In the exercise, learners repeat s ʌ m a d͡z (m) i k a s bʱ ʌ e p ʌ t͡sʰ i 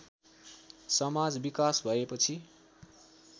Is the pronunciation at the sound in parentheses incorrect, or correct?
incorrect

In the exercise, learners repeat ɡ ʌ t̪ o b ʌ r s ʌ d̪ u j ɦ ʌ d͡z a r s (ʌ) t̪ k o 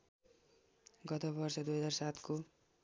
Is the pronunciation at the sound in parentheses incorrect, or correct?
incorrect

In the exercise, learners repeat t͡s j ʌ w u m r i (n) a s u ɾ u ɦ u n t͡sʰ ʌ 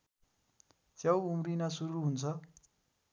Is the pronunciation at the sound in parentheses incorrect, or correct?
correct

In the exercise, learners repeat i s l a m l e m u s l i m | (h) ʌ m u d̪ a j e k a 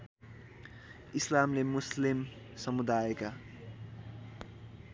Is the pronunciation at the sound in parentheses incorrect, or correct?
incorrect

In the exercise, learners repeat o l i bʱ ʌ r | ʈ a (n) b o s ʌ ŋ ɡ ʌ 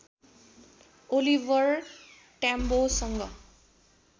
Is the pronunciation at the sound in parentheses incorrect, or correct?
incorrect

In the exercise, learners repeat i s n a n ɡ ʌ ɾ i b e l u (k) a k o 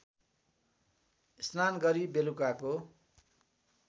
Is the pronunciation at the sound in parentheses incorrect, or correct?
correct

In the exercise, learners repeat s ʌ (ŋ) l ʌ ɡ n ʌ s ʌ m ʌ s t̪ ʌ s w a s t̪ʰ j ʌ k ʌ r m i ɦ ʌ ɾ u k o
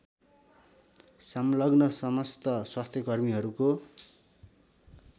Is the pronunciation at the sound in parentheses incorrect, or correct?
incorrect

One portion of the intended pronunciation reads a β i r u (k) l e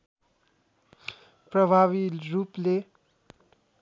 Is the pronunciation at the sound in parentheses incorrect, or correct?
incorrect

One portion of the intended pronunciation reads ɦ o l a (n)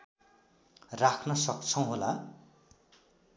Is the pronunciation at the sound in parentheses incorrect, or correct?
incorrect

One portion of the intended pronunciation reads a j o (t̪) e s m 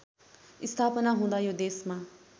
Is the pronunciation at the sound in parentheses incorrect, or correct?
incorrect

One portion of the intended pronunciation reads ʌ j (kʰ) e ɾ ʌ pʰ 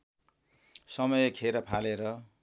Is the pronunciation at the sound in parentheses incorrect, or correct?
correct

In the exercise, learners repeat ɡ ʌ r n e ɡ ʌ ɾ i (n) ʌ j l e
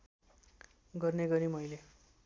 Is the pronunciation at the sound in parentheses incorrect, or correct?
incorrect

